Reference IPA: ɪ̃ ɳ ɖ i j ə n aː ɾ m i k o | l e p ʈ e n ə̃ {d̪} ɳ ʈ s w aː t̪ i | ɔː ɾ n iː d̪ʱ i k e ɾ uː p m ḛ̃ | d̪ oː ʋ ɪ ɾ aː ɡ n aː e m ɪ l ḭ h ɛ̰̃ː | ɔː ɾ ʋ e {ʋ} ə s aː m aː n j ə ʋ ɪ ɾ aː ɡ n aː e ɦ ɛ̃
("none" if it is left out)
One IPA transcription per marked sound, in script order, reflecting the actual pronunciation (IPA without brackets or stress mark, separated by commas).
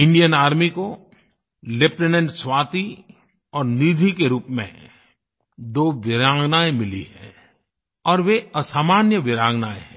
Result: none, none